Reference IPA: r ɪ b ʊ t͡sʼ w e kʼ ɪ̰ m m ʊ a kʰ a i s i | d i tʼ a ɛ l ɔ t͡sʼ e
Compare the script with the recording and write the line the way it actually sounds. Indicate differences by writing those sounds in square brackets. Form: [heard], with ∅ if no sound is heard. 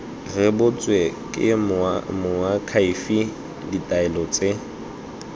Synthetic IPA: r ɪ b ʊ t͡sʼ w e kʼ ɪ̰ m m ʊ a kʰ a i [f] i | d i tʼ a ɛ l ɔ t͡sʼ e